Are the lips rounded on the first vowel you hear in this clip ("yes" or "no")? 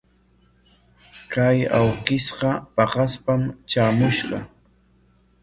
no